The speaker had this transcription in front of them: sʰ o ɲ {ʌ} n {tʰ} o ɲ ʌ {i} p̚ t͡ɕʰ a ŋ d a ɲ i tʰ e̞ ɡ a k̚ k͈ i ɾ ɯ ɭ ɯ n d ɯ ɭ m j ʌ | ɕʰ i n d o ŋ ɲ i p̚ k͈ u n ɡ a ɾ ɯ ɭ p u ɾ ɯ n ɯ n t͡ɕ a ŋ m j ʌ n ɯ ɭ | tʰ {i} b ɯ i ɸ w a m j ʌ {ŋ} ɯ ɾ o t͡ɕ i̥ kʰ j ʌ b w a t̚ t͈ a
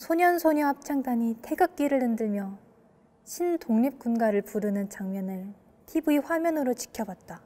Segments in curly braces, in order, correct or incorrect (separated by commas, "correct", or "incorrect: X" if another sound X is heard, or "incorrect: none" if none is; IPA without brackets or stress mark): correct, incorrect: sʰ, incorrect: a, correct, incorrect: n